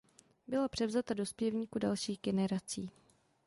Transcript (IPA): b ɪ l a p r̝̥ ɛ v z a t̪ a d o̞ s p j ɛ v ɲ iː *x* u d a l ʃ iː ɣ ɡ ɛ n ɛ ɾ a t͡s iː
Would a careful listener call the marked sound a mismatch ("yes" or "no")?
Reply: yes